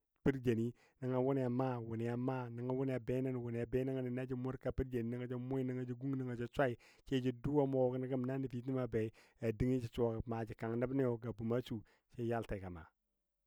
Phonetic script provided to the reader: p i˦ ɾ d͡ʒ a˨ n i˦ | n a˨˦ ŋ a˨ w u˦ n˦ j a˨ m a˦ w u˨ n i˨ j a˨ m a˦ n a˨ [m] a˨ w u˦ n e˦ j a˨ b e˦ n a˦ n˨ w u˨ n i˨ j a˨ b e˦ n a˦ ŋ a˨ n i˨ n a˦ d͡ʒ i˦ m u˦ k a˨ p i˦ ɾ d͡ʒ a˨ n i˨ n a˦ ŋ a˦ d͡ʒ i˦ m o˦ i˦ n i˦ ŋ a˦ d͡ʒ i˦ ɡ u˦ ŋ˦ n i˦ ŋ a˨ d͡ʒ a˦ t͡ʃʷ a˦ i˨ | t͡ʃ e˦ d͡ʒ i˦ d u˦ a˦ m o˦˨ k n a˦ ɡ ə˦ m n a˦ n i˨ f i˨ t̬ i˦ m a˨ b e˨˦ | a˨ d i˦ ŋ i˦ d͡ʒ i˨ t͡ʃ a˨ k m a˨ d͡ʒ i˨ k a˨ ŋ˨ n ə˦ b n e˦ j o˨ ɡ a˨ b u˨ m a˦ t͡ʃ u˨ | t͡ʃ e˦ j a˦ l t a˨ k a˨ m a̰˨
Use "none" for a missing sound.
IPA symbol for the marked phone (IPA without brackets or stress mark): ŋ